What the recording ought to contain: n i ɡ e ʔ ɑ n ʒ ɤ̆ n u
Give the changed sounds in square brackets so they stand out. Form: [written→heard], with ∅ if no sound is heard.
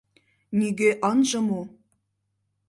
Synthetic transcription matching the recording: n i ɡ e ʔ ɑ n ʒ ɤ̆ [n→m] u